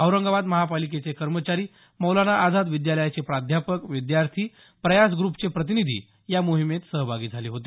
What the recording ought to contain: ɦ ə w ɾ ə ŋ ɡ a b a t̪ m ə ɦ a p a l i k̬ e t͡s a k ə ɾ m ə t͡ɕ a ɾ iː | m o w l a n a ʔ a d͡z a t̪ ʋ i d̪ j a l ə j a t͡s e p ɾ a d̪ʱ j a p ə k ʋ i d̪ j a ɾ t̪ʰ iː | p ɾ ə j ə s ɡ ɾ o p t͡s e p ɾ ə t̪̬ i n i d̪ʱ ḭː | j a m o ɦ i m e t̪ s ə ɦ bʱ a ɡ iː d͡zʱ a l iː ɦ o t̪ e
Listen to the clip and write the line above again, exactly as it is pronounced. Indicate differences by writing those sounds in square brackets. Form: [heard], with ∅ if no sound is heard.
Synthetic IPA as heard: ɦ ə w ɾ ə ŋ ɡ a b a [d̪] m ə ɦ a p a l i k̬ e t͡s [e] k ə ɾ m ə t͡ɕ a ɾ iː | m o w l a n a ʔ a d͡z a [d̪] ʋ i d̪ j a l ə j a t͡s e p ɾ a d̪ʱ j a p ə k ʋ i d̪ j a ɾ t̪ʰ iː | p ɾ ə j [a] s ɡ ɾ [u] p t͡s e p ɾ ə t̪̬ i n i d̪ʱ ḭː | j a m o ɦ i m e t̪ s ə ɦ bʱ a ɡ iː d͡zʱ a l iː ɦ o t̪ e